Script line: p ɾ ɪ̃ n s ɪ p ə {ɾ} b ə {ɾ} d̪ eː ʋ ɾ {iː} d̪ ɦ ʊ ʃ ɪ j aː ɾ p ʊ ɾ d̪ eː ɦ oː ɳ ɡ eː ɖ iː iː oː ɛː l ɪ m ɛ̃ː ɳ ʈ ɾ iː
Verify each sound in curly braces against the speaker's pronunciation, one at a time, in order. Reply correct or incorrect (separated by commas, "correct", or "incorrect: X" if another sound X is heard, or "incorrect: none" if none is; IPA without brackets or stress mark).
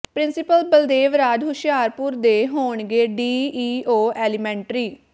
incorrect: l, incorrect: l, incorrect: aː